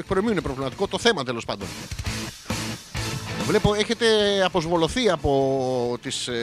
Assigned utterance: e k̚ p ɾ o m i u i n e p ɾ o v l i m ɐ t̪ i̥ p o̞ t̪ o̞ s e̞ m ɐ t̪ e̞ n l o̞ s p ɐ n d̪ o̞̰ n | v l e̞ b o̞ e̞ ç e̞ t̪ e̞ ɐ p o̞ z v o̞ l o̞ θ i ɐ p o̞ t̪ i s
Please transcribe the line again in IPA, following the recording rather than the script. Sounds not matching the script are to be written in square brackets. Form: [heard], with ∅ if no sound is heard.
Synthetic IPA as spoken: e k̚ p ɾ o m i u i n e p ɾ o v l i m ɐ t̪ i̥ [k] o̞ t̪ o̞ [θ] e̞ m ɐ t̪ e̞ [∅] l o̞ s p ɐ n d̪ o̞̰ n | v l e̞ [p] o̞ e̞ ç e̞ t̪ e̞ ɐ p o̞ z v o̞ l o̞ θ i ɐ p o̞ t̪ i s